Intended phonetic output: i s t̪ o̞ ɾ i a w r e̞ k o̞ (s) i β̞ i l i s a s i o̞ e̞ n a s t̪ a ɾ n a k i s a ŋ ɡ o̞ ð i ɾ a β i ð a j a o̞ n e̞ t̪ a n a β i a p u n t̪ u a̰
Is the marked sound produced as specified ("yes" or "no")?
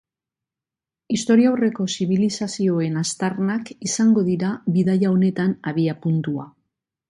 yes